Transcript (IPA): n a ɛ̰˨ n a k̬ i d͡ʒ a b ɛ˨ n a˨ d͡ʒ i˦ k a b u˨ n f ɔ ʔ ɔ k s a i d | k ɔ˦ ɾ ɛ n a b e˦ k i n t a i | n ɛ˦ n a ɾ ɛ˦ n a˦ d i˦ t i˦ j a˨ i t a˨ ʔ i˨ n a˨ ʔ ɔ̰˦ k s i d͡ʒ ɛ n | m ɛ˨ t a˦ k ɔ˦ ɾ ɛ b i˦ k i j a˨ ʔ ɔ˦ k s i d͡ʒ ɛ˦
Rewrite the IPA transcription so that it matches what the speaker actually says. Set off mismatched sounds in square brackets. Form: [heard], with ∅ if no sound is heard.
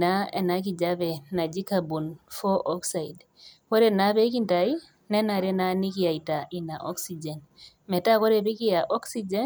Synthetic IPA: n a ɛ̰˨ n a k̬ i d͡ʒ a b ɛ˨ n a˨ d͡ʒ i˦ k a b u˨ n f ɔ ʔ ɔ k s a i d | k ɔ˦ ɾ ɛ n a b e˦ k i n t a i | n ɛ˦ n a ɾ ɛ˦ n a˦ [n] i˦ [k] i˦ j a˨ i t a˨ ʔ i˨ n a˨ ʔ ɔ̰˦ k s i d͡ʒ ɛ n | m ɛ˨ t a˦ k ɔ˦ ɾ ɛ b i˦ k i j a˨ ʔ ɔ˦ k s i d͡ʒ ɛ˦

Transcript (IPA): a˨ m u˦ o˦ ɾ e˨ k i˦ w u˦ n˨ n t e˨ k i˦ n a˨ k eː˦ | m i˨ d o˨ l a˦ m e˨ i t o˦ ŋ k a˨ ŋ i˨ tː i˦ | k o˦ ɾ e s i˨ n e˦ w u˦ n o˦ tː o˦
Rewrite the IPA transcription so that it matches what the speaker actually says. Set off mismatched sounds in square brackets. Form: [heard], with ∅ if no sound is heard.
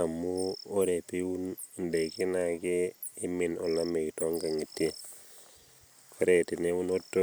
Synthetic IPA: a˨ m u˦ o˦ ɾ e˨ [p] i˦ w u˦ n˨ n [d] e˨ k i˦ n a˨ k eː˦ | m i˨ [n] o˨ l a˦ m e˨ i t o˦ ŋ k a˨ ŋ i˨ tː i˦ | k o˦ ɾ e [t] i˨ n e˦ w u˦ n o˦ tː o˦

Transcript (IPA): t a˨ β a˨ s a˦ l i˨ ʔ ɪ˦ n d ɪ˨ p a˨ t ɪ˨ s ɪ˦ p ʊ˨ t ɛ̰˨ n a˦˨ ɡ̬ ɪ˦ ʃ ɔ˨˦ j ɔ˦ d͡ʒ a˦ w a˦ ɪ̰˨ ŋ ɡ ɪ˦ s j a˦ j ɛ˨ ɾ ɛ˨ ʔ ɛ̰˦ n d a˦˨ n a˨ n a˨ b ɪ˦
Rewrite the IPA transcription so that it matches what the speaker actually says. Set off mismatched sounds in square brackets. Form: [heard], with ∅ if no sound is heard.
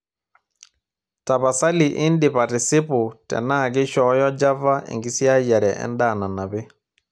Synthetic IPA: t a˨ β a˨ s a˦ l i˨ ʔ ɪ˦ n d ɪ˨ p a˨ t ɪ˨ s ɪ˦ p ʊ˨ t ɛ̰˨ n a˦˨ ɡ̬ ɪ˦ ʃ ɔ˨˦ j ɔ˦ d͡ʒ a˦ [v] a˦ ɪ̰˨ ŋ ɡ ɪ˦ s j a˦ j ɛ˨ ɾ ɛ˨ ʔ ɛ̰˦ n d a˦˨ n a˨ n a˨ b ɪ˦

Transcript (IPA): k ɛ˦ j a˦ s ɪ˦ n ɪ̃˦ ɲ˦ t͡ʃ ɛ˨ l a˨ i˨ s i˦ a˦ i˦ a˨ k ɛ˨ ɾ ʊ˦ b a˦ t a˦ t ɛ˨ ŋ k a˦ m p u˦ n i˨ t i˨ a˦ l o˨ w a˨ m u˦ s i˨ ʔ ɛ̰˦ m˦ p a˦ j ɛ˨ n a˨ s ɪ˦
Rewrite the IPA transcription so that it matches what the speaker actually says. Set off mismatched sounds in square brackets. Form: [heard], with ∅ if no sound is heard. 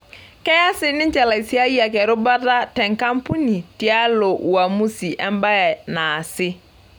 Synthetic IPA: k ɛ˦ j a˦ s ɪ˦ n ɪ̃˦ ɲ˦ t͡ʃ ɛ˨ l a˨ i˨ s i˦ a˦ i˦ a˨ k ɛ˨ ɾ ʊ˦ b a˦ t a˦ t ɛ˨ ŋ k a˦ m p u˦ n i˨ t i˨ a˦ l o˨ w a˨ m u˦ s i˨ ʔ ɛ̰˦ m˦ [b] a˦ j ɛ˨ n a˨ s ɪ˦

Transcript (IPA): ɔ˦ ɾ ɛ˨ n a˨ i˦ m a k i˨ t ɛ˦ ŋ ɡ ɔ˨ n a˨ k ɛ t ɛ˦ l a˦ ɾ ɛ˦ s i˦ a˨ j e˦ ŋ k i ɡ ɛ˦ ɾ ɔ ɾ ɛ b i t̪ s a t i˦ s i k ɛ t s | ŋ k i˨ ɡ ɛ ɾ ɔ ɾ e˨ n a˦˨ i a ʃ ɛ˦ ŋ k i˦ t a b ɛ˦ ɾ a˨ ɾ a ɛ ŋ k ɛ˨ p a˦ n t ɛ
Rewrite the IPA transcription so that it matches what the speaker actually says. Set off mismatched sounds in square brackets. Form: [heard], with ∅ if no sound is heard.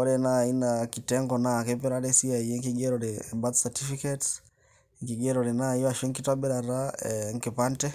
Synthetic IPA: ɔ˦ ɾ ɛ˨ n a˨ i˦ [n] a k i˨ t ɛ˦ ŋ ɡ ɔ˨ n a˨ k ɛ [p] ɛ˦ [ɾ] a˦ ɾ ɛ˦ s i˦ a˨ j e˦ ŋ k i ɡ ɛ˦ ɾ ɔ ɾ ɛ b [a] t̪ s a t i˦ [f] i k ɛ t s | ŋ k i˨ ɡ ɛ ɾ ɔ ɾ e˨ n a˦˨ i a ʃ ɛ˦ ŋ k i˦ t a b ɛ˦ ɾ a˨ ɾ a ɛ ŋ k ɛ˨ p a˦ n t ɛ

